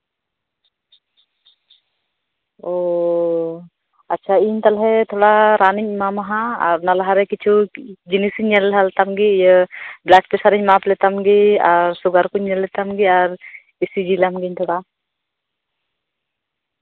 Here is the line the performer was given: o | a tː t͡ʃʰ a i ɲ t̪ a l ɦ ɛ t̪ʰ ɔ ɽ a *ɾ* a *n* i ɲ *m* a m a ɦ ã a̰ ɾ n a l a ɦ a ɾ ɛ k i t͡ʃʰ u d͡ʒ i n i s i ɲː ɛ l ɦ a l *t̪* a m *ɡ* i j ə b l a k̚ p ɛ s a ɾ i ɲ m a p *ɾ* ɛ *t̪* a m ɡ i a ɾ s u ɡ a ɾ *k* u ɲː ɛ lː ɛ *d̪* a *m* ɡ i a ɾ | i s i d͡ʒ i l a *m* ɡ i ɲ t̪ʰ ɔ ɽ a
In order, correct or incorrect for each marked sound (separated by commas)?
correct, correct, correct, correct, correct, incorrect, correct, correct, incorrect, correct, correct